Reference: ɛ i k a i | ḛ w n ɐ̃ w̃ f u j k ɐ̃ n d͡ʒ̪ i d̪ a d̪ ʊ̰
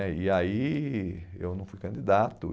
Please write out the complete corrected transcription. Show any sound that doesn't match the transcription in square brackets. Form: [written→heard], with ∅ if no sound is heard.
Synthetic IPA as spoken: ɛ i [k→∅] a i | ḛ w n ɐ̃ w̃ f u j k ɐ̃ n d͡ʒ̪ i d̪ a [d̪→t̪] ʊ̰